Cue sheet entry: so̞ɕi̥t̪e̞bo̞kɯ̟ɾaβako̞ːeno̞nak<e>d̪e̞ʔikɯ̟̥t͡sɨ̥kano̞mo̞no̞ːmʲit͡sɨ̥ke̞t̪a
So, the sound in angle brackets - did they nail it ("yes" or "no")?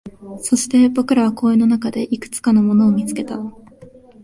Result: no